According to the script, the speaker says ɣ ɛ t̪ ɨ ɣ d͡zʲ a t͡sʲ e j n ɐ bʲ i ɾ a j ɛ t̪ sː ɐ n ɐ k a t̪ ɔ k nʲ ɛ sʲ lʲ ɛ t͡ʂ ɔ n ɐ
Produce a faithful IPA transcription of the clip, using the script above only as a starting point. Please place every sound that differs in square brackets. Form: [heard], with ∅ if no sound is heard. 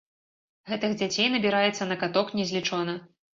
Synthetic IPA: ɣ ɛ t̪ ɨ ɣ d͡zʲ a t͡sʲ e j n ɐ bʲ i ɾ a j ɛ t̪ sː ɐ n ɐ k a t̪ ɔ k nʲ ɛ [zʲ] lʲ [i] t͡ʂ ɔ n ɐ